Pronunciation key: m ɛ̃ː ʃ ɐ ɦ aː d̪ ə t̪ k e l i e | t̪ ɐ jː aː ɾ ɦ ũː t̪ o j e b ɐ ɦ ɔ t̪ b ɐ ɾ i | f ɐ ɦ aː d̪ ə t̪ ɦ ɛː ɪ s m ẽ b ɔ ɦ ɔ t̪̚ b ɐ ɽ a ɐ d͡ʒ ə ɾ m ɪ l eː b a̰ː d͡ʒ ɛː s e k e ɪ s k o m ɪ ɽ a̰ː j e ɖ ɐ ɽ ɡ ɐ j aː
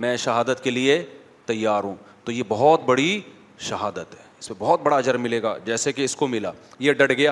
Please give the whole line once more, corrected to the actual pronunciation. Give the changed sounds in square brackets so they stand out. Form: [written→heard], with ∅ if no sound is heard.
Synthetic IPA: m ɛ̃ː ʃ ɐ ɦ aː d̪ ə t̪ k e l i e | t̪ ɐ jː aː ɾ ɦ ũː t̪ o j e b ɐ ɦ ɔ t̪ b ɐ [ɾ→ɽ] i | [f→ʃ] ɐ ɦ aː d̪ ə t̪ ɦ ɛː ɪ s m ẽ b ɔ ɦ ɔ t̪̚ b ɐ ɽ a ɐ d͡ʒ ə ɾ m ɪ l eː [b→ɡ] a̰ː d͡ʒ ɛː s e k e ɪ s k o m ɪ [ɽ→l] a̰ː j e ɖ ɐ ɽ ɡ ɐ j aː